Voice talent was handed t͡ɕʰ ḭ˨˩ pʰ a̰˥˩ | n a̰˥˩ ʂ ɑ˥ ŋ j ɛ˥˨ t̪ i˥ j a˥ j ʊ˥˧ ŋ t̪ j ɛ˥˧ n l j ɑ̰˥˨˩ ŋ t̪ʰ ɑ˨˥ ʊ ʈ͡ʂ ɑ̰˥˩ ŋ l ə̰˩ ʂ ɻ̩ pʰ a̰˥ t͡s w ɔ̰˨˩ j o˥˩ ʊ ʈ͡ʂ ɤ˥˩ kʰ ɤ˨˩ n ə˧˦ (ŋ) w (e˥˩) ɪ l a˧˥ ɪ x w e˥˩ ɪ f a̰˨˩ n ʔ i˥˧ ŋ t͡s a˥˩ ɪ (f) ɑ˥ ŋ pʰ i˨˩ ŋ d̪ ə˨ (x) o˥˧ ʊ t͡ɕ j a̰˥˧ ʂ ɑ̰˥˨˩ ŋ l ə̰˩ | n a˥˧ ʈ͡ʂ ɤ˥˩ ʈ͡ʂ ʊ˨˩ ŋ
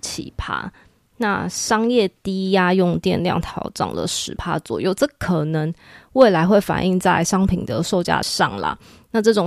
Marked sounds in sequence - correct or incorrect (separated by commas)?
correct, correct, incorrect, incorrect